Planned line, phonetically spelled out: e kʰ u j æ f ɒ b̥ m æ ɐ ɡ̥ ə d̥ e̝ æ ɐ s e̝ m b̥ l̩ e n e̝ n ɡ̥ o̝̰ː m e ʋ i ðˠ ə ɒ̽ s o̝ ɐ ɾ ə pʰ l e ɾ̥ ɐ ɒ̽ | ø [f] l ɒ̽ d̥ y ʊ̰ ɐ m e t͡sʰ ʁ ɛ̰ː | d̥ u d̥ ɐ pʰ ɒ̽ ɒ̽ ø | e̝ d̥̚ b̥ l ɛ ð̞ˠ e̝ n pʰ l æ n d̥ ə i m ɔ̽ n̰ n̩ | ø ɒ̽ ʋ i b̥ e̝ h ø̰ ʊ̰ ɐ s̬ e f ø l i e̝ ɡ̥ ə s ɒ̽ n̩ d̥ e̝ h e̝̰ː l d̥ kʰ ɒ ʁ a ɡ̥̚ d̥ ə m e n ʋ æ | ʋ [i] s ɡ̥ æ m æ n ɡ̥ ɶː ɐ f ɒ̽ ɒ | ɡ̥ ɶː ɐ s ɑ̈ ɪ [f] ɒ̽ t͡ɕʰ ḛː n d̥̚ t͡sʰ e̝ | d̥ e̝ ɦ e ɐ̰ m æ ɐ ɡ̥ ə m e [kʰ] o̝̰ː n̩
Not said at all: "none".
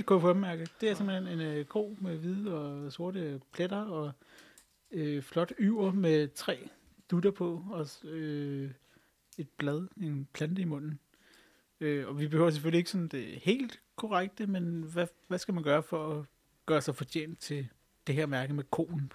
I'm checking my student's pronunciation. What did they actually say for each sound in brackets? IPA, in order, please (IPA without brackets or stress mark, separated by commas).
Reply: f, æ, f, kʰ